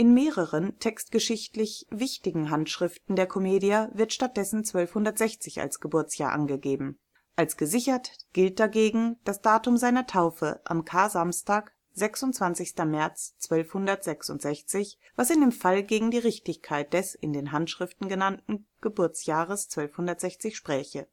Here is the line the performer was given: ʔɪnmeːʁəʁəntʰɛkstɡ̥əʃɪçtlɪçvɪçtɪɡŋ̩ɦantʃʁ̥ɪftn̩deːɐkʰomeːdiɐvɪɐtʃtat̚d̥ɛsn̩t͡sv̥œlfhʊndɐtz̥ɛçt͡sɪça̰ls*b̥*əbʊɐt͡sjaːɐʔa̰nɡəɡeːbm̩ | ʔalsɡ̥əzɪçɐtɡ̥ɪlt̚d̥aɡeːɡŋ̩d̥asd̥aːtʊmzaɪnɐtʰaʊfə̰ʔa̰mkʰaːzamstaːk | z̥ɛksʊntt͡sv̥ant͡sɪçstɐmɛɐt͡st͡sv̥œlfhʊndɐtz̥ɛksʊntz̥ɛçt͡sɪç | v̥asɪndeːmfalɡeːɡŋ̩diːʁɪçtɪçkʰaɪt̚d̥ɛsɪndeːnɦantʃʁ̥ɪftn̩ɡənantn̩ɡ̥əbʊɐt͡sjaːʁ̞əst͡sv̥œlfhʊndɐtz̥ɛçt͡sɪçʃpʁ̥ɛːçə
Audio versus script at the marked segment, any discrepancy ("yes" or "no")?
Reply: yes